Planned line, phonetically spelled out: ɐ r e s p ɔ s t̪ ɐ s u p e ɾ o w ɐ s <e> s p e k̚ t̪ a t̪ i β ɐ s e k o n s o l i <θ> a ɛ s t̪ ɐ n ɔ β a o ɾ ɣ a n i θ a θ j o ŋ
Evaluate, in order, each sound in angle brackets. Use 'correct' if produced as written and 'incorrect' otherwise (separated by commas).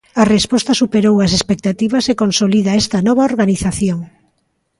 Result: correct, incorrect